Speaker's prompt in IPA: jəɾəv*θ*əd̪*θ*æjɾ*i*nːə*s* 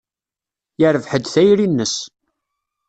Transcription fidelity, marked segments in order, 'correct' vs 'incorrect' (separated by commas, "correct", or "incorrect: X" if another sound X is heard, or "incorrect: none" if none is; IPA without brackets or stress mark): incorrect: ħ, correct, correct, correct